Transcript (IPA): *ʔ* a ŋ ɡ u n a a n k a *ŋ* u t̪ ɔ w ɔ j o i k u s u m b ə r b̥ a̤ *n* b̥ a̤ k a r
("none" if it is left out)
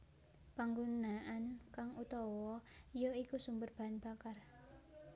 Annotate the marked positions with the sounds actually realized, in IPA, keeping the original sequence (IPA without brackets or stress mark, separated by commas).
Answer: p, ŋ, n